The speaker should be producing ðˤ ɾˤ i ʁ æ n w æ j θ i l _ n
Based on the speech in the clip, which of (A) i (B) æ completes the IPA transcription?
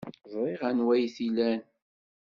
B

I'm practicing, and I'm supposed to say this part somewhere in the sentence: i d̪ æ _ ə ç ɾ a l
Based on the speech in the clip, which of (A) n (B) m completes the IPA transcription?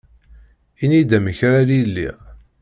B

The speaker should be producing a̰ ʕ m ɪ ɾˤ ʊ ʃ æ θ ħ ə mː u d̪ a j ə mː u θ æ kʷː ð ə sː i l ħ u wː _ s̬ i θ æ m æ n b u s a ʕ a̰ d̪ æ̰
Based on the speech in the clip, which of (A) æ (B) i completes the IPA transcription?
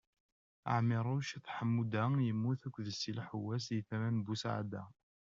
A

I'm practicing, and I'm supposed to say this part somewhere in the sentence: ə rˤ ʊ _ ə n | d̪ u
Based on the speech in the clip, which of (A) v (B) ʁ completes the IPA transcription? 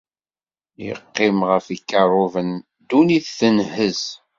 A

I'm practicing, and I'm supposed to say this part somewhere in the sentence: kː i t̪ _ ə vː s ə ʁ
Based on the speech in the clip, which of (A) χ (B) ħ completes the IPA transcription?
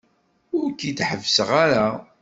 B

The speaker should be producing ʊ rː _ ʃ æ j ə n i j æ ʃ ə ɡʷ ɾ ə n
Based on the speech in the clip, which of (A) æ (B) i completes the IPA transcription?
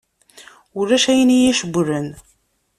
A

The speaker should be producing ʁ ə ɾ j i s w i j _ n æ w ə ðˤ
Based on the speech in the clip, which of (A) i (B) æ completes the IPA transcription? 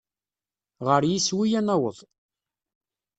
B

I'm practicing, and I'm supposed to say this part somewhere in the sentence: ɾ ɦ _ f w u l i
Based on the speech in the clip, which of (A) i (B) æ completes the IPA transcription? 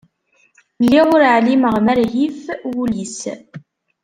A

